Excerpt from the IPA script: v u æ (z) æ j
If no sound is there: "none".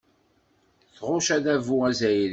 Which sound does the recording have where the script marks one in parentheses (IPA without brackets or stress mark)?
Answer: z